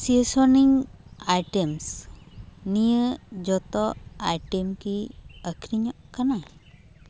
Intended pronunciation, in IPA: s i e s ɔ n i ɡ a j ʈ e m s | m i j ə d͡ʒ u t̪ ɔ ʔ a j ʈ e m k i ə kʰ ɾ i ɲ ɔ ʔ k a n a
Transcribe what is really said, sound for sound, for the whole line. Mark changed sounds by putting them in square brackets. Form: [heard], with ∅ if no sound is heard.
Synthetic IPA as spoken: s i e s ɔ n i [ŋ] a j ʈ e m s | [n] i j ə d͡ʒ [ɔ] t̪ ɔ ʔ a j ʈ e m k i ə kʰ ɾ i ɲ ɔ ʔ k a n a